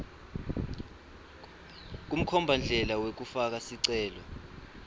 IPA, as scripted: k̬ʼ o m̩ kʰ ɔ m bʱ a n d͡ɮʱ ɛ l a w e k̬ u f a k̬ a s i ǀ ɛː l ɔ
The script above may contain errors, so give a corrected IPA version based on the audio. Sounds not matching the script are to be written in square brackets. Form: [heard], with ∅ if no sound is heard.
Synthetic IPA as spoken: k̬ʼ [u] m̩ kʰ ɔ m bʱ a n d͡ɮʱ ɛ l a w e k̬ u f a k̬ a s i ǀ ɛː l ɔ